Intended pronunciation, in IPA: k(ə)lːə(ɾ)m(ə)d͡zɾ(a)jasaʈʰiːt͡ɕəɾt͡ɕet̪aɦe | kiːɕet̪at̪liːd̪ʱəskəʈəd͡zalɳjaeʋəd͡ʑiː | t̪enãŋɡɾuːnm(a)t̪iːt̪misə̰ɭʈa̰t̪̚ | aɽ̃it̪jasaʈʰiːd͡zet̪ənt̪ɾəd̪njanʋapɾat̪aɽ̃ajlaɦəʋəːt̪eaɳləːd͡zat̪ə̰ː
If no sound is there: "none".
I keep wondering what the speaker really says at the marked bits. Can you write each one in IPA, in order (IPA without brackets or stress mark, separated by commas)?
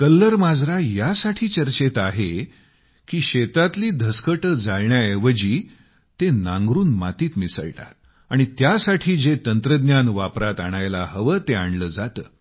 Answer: ə, ɾ, a, a, a